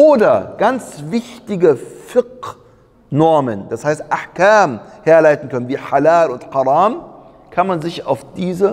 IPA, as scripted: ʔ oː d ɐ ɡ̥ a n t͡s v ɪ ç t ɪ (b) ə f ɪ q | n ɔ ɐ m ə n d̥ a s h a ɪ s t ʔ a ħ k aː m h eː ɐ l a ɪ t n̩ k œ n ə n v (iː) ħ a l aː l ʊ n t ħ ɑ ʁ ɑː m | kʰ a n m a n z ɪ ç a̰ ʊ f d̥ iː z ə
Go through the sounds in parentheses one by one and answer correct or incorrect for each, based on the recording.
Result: incorrect: ɡ, correct

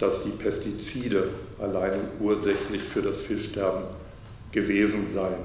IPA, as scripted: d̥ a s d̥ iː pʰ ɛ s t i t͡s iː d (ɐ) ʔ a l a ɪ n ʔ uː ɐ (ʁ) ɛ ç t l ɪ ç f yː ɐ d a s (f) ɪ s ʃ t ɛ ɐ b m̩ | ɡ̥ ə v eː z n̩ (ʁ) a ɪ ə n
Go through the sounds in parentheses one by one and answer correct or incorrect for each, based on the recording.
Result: incorrect: ə, incorrect: z, correct, incorrect: z

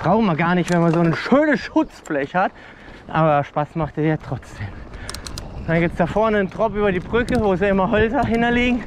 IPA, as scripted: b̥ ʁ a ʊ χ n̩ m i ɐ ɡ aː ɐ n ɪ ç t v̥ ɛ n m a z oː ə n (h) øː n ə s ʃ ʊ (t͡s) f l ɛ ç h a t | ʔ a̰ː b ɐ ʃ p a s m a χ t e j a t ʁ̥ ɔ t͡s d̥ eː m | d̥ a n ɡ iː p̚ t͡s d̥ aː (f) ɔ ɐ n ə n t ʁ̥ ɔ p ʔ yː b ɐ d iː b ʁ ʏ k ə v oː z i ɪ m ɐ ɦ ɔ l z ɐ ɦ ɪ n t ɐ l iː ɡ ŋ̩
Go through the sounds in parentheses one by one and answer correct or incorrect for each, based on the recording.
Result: incorrect: ʃ, correct, correct

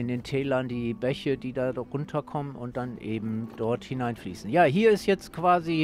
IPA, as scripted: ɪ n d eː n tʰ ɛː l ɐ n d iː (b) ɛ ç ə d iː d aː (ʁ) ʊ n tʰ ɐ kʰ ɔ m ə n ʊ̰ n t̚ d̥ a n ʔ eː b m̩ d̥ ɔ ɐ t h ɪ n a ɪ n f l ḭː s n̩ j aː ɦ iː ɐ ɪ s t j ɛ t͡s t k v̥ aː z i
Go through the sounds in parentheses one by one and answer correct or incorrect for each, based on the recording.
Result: correct, correct

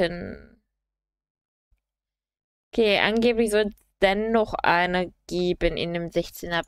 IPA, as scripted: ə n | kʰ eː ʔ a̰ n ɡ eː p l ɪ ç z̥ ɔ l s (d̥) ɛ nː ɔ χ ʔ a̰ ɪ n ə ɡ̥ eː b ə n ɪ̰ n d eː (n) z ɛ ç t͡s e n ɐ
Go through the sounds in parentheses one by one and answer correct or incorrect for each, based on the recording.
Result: correct, incorrect: m

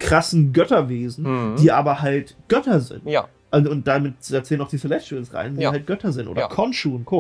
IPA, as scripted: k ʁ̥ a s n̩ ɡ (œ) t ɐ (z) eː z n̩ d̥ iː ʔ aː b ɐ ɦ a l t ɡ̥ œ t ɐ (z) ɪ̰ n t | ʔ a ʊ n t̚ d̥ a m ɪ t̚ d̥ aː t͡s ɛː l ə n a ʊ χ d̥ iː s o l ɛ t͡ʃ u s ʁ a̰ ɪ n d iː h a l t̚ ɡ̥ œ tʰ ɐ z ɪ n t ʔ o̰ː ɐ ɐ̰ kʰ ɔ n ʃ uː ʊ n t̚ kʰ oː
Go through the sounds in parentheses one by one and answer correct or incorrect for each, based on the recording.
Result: correct, incorrect: v, correct

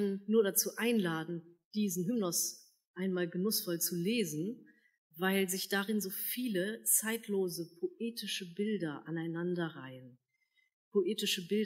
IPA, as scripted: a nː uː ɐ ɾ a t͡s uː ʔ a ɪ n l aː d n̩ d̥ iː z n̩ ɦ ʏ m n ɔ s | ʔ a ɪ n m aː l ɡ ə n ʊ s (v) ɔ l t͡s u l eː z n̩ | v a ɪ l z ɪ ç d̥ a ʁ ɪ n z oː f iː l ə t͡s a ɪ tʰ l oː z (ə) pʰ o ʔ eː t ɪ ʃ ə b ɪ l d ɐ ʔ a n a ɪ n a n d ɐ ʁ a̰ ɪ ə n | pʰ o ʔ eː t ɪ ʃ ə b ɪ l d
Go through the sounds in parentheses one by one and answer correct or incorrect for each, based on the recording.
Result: incorrect: f, correct

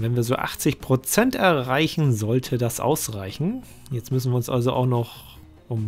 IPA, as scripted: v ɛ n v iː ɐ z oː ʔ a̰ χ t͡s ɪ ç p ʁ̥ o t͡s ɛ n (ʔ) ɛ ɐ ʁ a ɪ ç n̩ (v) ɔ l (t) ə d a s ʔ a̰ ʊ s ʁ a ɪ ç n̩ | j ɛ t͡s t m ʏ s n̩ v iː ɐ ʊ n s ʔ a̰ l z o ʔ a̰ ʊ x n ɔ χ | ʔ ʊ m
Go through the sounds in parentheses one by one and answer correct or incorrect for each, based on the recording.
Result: incorrect: t, incorrect: z, incorrect: tʰ

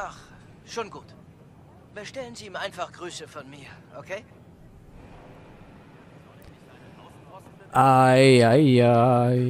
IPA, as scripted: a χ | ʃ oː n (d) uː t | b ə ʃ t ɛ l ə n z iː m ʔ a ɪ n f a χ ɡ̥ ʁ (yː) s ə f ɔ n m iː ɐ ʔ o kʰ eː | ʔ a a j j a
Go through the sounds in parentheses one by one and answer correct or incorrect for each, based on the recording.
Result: incorrect: ɡ, correct

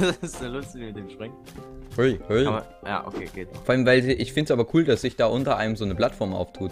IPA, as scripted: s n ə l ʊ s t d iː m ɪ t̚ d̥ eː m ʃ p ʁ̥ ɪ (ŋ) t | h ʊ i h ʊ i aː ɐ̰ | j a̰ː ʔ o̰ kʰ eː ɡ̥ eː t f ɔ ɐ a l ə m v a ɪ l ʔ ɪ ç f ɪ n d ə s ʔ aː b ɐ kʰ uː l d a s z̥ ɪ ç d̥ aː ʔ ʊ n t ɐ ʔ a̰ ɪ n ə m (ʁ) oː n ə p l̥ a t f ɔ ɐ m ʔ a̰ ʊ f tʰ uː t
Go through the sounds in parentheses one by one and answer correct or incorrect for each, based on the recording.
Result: correct, incorrect: z

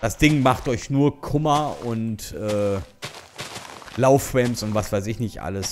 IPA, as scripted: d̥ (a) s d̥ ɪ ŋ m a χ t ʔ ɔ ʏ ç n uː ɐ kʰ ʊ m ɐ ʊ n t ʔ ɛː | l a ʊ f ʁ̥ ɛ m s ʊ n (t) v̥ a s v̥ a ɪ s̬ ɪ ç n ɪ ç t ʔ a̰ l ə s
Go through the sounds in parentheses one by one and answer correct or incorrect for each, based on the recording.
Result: correct, correct

